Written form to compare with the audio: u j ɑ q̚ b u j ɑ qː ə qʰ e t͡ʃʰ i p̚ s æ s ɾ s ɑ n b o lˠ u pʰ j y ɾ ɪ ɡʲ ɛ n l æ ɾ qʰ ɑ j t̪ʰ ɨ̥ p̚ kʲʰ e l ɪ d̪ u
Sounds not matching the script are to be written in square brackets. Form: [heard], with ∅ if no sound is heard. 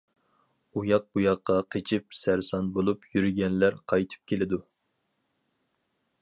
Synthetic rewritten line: u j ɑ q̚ b u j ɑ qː [ɑ] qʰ e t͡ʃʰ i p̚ s æ [∅] ɾ s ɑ n b o lˠ u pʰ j y ɾ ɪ ɡʲ ɛ n l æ ɾ qʰ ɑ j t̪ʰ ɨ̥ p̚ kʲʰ e l ɪ d̪ u